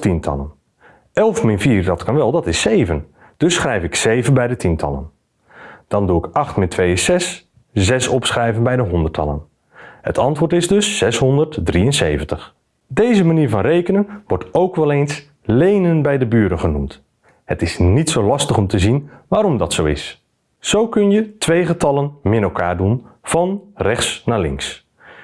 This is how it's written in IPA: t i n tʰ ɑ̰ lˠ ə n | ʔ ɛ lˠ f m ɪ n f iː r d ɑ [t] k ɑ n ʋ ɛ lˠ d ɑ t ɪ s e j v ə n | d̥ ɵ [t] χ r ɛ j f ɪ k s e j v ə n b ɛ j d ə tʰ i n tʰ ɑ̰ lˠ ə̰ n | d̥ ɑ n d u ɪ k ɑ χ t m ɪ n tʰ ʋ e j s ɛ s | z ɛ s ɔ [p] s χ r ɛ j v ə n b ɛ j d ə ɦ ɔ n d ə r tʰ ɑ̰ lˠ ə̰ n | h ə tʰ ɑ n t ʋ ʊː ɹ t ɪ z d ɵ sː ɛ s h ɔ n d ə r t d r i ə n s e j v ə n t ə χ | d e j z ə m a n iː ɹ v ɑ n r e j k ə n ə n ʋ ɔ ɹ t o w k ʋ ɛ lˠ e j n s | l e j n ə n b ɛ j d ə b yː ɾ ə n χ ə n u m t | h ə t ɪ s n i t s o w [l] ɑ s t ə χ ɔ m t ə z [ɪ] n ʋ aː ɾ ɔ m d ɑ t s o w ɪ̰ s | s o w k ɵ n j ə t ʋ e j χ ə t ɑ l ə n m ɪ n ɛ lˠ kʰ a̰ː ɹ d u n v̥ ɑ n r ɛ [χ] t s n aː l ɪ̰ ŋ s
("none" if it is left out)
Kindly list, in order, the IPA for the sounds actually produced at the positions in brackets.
t, s, p, l, i, χ

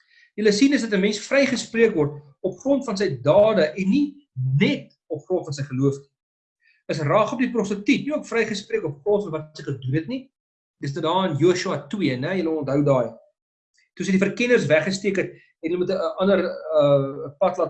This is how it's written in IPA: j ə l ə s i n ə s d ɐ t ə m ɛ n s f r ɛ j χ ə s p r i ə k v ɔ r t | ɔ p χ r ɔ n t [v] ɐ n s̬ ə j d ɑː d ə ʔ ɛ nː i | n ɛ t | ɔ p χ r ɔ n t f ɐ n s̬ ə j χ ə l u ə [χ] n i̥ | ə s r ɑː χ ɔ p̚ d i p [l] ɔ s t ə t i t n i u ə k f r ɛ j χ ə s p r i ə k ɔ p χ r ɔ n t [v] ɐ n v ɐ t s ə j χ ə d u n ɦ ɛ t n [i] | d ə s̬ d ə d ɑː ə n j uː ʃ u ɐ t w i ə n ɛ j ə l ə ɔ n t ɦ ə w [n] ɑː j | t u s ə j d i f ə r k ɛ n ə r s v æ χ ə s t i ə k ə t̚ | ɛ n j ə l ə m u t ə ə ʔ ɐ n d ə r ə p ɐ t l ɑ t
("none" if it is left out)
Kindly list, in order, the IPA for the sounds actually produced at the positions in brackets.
f, f, r, f, i, d

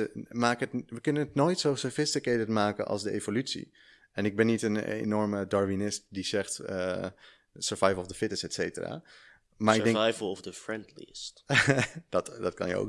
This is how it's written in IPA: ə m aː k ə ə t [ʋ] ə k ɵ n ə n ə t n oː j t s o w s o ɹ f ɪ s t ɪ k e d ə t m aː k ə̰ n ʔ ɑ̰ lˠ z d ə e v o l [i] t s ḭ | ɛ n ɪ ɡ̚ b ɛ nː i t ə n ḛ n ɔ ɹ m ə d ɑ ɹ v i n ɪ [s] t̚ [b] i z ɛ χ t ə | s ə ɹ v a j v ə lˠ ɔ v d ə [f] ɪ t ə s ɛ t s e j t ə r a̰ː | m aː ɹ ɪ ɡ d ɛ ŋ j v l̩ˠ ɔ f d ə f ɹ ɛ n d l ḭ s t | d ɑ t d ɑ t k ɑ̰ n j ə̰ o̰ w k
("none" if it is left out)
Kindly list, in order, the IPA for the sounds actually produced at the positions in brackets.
ʋ, y, s, d, f

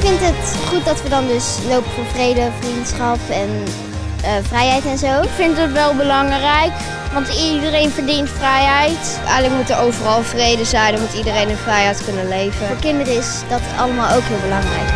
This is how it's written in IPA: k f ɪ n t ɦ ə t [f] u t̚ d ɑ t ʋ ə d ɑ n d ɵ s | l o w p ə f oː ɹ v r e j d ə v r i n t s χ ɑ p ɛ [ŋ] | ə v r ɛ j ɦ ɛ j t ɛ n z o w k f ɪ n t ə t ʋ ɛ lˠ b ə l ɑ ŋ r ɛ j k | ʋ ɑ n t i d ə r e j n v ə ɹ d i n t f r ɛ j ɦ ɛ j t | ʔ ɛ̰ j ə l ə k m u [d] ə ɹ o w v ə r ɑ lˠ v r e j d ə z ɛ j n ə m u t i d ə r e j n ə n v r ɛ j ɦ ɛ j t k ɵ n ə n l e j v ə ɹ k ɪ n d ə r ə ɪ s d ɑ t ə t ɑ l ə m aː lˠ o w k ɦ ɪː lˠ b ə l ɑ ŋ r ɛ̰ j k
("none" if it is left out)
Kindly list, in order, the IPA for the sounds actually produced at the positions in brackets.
χ, n, t

